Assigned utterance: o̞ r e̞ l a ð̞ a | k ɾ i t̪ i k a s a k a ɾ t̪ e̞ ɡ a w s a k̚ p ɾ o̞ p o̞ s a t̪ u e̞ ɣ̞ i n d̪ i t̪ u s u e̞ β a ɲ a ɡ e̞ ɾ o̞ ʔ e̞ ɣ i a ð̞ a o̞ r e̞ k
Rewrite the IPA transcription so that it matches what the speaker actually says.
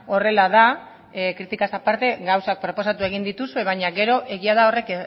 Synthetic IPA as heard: o̞ r e̞ l a ð̞ a | k ɾ i t̪ i k a s a p a ɾ t̪ e̞ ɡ a w s a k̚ p ɾ o̞ p o̞ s a t̪ u e̞ ɣ̞ i n d̪ i t̪ u s u e̞ β a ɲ a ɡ e̞ ɾ o̞ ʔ e̞ ɣ i a ð̞ a o̞ r e̞ k